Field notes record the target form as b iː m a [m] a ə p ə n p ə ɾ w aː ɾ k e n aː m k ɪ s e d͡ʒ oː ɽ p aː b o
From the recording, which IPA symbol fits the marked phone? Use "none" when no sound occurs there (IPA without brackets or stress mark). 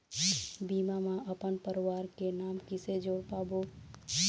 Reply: m